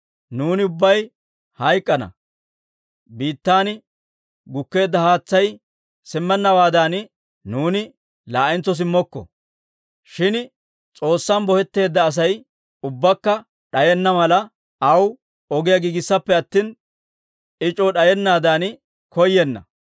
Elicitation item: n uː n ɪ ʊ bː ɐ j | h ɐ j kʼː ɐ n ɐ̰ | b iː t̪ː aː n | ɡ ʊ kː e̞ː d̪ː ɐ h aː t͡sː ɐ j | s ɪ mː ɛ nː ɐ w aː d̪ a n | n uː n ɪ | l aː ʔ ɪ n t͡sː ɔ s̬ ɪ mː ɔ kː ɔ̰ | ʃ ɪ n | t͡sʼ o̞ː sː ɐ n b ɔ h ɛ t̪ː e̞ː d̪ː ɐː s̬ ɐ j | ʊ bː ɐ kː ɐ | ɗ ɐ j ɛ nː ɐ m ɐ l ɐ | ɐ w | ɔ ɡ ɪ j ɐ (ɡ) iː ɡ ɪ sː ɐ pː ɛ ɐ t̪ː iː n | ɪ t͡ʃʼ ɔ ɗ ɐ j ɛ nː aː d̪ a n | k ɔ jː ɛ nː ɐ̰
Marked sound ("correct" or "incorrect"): correct